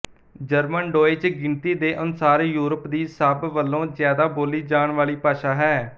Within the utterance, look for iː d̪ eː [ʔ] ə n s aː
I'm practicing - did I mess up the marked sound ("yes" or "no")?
no